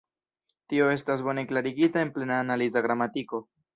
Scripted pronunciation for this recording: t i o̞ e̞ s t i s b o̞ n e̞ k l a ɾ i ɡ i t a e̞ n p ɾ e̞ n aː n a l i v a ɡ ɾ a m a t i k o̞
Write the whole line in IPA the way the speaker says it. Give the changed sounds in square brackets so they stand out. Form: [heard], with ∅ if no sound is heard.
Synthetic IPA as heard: t i o̞ e̞ s t [a] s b o̞ n e̞ k l a ɾ i ɡ i t a e̞ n p [l] e̞ n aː n a l i [z] a ɡ ɾ a m a t i k o̞